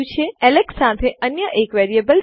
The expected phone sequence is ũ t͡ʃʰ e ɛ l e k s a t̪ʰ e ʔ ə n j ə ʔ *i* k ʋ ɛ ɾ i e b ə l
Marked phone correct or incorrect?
incorrect